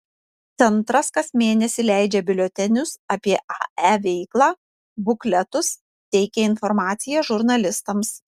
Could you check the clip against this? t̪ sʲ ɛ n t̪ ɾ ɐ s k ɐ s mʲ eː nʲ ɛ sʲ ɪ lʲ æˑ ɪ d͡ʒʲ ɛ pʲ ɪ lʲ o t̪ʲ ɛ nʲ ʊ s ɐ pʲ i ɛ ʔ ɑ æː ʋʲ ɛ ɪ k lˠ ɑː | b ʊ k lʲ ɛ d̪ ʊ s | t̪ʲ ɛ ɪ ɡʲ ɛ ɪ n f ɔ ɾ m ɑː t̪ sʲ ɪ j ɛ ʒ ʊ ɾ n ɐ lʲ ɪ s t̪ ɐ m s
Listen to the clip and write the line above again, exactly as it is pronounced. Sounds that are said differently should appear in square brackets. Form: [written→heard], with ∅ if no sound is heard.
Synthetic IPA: t̪ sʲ ɛ n t̪ ɾ ɐ s k ɐ s mʲ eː nʲ ɛ sʲ ɪ lʲ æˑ ɪ d͡ʒʲ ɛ [pʲ→bʲ] ɪ lʲ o t̪ʲ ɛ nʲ ʊ s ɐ pʲ i ɛ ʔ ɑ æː ʋʲ ɛ ɪ k lˠ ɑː | b ʊ k lʲ ɛ [d̪→t̪] ʊ s | t̪ʲ ɛ ɪ [ɡʲ→kʲ] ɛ ɪ n f ɔ ɾ m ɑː t̪ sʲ ɪ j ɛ ʒ ʊ ɾ n ɐ lʲ ɪ s t̪ ɐ m s